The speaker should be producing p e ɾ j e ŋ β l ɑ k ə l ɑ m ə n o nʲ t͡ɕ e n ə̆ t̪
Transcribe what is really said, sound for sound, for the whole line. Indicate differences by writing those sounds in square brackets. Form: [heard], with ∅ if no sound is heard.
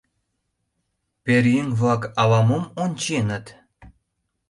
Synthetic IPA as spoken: p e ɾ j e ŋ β l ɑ k [ɑ] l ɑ m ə [m] o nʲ t͡ɕ e n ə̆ t̪